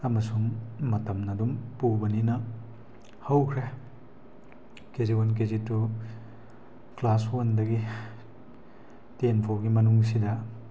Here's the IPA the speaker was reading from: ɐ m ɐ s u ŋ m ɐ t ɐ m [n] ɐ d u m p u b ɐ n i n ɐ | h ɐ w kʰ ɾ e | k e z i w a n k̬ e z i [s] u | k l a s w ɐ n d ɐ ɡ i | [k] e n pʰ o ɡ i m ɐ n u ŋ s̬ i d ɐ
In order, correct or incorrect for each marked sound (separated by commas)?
correct, incorrect, incorrect